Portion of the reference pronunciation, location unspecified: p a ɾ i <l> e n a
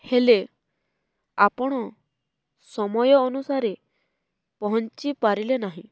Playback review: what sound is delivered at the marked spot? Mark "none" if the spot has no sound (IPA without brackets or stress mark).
l